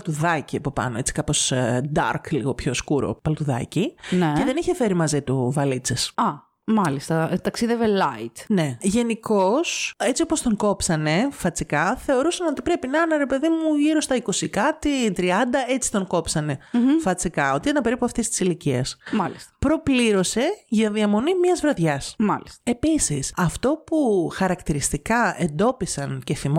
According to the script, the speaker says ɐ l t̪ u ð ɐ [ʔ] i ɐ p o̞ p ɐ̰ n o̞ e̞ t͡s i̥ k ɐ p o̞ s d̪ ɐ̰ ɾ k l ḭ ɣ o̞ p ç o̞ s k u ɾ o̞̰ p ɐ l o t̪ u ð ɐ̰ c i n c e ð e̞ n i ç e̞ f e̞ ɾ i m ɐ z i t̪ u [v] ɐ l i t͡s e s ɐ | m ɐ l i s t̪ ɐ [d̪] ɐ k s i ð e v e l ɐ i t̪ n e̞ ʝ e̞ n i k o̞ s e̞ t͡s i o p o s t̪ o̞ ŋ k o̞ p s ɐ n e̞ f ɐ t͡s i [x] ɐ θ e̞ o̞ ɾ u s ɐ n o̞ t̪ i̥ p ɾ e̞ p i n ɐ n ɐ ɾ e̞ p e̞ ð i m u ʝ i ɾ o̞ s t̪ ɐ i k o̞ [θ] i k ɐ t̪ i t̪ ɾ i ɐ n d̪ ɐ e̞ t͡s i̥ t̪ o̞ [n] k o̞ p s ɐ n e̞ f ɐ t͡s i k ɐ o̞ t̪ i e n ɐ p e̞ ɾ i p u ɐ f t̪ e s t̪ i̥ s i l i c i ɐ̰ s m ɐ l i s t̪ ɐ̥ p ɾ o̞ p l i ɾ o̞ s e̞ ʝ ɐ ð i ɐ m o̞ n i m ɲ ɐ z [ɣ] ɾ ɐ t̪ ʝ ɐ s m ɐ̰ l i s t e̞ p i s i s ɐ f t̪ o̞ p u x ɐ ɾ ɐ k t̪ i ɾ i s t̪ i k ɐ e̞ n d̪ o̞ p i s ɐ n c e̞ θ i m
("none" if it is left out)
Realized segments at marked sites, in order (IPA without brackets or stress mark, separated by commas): c, v, t̪, k, s, ŋ, v